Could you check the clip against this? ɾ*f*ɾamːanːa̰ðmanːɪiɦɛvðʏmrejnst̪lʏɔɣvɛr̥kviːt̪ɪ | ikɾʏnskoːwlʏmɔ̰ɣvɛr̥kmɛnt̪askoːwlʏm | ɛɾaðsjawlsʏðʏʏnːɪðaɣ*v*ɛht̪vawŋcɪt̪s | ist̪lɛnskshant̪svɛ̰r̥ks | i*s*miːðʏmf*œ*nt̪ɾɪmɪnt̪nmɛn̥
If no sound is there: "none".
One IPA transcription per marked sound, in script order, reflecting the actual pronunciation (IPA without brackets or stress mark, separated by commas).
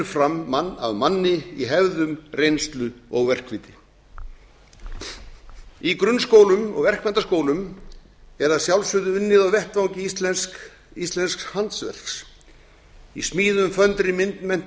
f, v, s, œ